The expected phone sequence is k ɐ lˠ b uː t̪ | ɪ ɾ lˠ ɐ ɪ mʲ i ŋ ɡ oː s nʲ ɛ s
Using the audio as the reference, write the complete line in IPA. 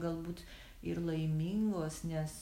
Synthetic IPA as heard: ɡ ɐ lˠ b uː t̪ | ɪ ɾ lˠ ɐ ɪ mʲ i ŋ ɡ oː s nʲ ɛ s